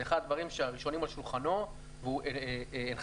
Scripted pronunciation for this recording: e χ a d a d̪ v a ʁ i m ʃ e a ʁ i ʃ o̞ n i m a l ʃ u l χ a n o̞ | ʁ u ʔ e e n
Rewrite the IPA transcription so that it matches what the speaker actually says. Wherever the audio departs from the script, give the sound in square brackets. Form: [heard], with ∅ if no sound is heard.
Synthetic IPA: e χ a d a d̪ v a ʁ i m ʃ e a ʁ i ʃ o̞ n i m a l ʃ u l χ a n o̞ | [v] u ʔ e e n